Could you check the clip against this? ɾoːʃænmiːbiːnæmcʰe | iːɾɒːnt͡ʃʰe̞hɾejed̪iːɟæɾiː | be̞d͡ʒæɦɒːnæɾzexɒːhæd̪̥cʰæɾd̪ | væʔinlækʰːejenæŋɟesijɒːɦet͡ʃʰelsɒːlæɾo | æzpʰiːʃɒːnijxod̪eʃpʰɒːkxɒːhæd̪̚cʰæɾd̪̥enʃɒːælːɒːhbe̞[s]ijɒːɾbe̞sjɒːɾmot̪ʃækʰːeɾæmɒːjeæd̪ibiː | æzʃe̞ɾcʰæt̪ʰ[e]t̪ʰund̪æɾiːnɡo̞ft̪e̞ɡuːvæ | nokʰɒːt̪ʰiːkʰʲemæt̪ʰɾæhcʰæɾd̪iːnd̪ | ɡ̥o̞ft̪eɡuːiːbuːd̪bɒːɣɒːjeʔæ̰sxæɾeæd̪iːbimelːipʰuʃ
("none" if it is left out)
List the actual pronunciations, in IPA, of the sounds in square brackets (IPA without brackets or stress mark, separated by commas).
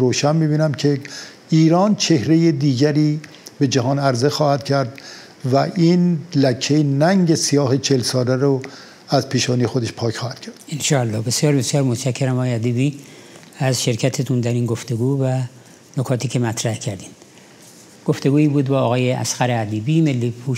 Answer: s, e